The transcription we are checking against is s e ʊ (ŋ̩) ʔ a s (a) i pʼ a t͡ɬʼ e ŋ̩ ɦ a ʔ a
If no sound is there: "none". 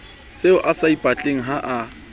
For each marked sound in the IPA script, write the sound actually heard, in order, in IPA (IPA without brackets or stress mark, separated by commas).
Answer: none, a